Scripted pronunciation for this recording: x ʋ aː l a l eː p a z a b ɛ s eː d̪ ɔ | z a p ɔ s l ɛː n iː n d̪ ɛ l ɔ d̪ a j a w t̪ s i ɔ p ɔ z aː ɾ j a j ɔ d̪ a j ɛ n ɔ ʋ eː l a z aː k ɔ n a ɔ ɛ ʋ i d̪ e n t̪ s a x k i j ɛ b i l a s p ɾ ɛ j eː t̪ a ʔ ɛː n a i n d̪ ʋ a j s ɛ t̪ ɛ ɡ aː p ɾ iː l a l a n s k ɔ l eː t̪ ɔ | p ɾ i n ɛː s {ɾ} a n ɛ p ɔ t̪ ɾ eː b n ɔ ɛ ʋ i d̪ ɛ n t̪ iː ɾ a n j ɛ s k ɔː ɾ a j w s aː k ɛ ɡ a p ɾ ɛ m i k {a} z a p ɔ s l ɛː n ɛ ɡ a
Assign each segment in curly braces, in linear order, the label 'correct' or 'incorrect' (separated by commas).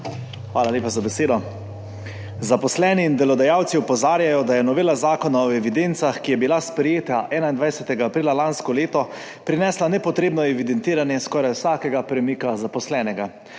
incorrect, correct